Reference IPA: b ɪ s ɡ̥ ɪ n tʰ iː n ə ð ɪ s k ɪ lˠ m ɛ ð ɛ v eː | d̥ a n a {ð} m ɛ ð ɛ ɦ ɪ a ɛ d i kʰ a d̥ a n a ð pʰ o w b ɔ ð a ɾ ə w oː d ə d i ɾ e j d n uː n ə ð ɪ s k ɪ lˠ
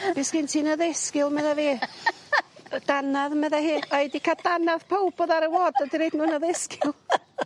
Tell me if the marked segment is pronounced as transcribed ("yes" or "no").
yes